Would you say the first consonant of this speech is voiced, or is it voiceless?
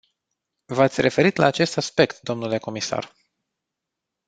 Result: voiced